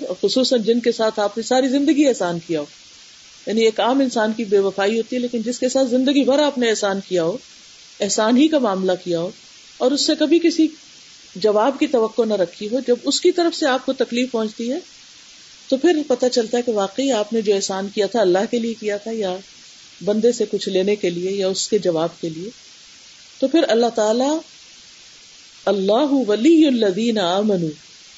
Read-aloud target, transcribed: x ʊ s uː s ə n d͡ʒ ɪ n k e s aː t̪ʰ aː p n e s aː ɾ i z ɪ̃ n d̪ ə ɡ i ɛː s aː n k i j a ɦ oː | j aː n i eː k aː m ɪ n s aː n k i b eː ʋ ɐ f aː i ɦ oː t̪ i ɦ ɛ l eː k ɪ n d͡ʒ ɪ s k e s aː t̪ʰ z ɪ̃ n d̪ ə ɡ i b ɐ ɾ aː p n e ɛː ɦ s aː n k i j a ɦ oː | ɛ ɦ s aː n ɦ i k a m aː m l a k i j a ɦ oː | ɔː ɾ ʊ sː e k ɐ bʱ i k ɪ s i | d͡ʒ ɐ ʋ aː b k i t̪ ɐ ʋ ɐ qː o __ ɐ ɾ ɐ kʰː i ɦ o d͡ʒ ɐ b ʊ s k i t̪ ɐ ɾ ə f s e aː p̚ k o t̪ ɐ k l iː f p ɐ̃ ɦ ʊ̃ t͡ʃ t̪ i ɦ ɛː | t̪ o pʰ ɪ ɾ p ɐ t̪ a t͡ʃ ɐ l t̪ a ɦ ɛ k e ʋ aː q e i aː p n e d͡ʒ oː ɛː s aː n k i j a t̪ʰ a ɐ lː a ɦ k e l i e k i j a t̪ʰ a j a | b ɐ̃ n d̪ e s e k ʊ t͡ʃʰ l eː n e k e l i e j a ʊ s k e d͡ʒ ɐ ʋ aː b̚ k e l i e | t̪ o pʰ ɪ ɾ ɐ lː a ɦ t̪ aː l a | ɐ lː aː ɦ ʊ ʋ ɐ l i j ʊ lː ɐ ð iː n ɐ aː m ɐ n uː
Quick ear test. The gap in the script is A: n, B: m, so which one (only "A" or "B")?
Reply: A